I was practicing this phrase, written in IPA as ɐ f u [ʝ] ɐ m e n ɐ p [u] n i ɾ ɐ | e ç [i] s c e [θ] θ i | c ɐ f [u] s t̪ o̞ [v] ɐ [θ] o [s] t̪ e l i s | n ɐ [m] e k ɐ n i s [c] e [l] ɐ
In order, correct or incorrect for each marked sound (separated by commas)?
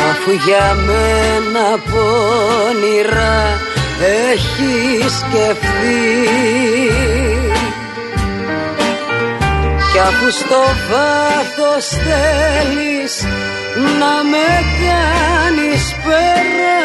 correct, incorrect, correct, incorrect, correct, correct, correct, correct, correct, incorrect, incorrect